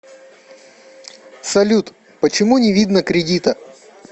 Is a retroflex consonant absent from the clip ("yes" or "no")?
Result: yes